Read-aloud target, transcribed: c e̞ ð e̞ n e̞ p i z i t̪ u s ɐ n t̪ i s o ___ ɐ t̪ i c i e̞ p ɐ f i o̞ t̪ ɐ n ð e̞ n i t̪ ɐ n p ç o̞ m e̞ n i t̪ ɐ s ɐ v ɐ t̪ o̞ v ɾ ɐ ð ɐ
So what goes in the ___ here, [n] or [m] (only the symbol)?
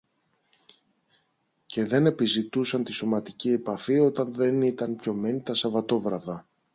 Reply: m